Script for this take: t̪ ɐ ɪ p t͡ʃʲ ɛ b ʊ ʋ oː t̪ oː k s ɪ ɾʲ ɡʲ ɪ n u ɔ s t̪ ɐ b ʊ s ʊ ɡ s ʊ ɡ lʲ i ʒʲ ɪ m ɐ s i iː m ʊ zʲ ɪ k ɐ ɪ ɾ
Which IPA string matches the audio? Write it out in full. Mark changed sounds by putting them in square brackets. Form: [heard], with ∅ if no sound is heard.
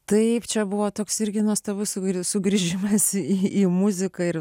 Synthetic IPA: t̪ ɐ ɪ p t͡ʃʲ ɛ b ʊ ʋ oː t̪ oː k s ɪ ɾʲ ɡʲ ɪ n u ɔ s t̪ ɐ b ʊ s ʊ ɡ s ʊ ɡ [ɾʲ] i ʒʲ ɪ m ɐ s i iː m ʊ zʲ ɪ k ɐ ɪ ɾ